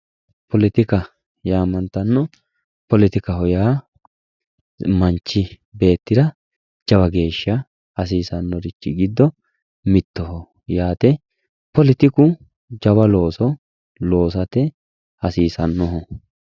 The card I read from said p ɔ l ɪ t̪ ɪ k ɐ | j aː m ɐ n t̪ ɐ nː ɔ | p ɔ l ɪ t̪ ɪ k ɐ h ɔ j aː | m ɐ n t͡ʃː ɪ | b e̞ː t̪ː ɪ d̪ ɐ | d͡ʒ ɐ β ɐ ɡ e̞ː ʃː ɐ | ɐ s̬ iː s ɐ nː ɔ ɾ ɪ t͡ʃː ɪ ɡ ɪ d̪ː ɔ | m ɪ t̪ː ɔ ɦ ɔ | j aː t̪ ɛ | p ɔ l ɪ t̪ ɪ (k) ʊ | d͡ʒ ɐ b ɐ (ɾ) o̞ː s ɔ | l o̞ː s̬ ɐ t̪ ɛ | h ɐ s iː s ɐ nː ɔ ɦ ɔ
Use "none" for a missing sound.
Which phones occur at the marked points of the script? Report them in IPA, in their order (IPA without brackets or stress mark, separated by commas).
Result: k, l